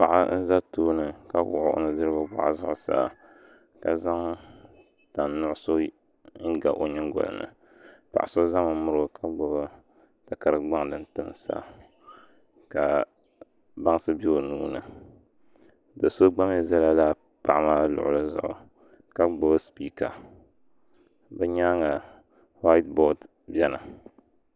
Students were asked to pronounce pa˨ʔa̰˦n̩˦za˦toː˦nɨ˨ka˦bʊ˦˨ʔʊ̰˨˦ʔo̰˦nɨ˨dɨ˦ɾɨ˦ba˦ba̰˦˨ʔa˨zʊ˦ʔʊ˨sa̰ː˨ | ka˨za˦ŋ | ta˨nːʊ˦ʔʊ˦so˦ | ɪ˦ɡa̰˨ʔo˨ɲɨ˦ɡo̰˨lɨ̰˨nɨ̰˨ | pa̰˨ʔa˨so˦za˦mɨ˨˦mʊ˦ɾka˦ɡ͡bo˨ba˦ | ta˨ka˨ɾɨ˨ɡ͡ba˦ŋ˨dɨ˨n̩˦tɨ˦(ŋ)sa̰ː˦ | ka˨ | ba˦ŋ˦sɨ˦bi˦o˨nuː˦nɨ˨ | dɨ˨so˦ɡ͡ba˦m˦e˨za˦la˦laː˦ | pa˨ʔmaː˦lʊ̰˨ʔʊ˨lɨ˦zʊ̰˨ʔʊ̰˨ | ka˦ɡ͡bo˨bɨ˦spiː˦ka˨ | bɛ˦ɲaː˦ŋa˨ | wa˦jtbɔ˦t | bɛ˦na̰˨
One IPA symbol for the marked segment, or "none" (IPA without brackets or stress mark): m